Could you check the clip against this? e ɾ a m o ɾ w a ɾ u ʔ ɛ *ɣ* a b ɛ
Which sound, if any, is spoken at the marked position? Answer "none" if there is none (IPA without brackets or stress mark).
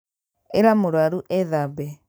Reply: ð